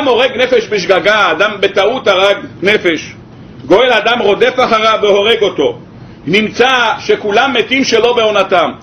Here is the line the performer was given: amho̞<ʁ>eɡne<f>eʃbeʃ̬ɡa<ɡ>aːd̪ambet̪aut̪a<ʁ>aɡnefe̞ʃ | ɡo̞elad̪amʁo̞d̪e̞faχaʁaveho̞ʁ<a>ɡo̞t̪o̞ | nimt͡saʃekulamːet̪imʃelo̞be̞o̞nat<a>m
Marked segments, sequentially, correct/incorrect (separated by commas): correct, correct, correct, correct, incorrect, correct